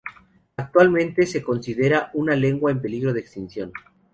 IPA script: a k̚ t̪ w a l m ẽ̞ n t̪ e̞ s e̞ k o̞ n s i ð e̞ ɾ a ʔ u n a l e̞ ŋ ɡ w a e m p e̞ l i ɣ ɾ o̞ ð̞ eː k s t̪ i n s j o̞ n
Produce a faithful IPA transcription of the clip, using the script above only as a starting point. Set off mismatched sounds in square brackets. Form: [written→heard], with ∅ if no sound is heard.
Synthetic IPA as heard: a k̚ t̪ w a l m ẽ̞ n t̪ e̞ s e̞ k o̞ n s i ð e̞ ɾ a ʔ u n a l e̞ ŋ ɡ w a e m p e̞ l i ɣ ɾ o̞ ð̞ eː k s t̪ i n s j o̞ n